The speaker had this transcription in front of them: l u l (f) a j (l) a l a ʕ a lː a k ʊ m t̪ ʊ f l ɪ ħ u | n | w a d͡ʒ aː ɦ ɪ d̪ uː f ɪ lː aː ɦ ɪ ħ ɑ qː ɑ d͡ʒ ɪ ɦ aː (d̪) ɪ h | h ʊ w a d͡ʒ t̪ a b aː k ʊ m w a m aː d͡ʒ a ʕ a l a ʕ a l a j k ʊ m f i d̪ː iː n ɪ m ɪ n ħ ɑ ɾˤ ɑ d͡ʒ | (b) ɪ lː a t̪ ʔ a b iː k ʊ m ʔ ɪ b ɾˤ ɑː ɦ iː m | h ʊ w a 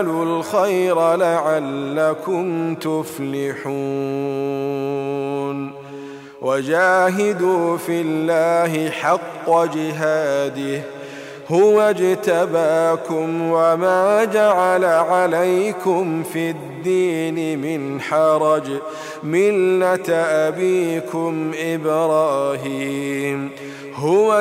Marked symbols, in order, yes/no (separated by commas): no, no, yes, no